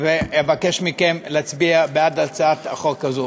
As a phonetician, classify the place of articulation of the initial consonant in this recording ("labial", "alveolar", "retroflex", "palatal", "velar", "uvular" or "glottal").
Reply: labial